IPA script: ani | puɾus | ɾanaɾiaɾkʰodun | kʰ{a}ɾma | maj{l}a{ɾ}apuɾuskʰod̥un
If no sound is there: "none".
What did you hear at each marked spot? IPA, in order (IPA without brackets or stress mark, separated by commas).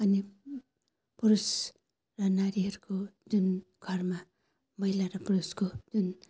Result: a, l, ɾ